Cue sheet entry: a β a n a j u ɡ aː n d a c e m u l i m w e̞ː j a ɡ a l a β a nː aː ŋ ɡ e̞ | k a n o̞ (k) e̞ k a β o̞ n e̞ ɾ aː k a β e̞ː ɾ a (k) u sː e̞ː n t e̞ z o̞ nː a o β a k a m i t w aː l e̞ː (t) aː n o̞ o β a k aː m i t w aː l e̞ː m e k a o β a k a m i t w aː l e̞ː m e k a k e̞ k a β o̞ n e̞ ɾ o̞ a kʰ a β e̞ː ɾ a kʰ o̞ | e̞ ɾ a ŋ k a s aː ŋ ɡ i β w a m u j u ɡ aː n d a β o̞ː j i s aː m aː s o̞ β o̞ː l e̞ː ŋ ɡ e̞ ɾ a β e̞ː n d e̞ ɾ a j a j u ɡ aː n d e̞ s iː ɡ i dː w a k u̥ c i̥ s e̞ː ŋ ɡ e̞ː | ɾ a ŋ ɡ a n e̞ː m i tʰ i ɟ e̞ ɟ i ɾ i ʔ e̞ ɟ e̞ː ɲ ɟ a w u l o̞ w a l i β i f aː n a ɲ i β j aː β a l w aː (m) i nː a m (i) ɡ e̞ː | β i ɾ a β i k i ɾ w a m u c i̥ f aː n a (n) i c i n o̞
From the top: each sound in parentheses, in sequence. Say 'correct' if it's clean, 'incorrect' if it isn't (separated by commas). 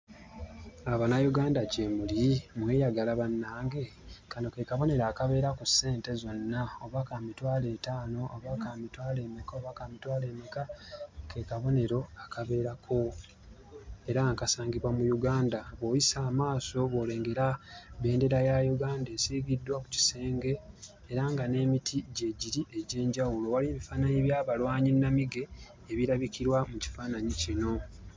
correct, correct, correct, incorrect, correct, incorrect